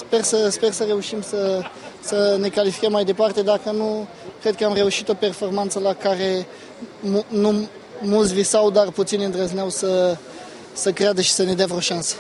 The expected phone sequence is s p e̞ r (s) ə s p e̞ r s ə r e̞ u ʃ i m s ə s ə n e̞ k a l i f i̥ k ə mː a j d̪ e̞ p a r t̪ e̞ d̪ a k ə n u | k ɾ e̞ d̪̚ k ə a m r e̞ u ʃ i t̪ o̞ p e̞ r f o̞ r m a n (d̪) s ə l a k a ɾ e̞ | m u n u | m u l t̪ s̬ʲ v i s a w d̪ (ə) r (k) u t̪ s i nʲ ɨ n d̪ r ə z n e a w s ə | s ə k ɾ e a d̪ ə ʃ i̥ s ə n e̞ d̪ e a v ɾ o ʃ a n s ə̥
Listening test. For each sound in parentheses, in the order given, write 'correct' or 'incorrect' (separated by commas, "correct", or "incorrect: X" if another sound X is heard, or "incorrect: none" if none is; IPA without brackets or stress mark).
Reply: correct, incorrect: t̪, incorrect: a, incorrect: p